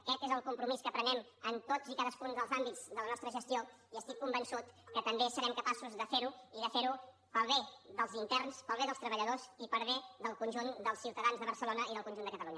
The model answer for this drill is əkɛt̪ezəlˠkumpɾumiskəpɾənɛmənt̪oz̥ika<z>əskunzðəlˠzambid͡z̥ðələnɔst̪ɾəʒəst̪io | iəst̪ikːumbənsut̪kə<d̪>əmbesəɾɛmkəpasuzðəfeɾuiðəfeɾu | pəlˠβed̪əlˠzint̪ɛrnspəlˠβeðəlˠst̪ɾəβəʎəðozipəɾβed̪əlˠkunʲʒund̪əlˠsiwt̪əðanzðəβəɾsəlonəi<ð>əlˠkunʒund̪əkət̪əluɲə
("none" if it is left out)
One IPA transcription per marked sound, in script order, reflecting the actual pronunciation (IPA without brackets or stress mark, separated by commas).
ð, t̪, ð